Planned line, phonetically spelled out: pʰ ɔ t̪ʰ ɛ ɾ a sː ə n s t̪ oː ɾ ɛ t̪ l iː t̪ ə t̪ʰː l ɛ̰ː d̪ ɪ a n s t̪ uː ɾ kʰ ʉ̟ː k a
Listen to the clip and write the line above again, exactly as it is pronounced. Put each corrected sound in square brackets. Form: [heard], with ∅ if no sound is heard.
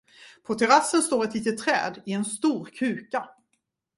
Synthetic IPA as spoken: pʰ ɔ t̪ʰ ɛ ɾ a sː ə n s t̪ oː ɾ ɛ t̪ l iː t̪ ə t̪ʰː [ɾ] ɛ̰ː d̪ ɪ [ɛ] n s t̪ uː ɾ kʰ ʉ̟ː k a